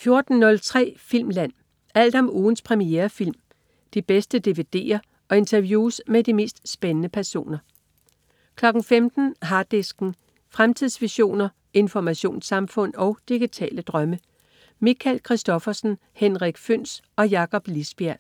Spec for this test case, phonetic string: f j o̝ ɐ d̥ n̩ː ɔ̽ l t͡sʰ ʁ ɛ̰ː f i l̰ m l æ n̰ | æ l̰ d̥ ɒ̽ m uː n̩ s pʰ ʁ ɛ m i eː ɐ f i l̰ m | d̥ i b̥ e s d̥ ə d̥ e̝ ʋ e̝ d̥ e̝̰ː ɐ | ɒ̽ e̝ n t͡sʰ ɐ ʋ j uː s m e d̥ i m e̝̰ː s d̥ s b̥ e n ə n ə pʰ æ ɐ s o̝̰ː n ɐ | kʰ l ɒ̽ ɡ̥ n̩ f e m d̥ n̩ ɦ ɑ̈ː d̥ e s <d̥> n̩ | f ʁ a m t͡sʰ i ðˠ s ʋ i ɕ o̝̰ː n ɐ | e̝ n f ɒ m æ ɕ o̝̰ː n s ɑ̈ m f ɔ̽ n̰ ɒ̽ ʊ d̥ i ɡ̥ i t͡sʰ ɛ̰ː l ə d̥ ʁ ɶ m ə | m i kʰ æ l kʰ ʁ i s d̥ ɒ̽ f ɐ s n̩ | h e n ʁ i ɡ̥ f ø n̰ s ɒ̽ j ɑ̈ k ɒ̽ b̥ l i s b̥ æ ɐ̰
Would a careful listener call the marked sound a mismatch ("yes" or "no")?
yes